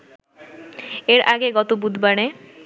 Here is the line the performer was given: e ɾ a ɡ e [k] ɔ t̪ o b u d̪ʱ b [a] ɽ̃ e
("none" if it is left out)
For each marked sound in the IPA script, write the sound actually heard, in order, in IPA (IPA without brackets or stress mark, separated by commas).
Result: ɡ, a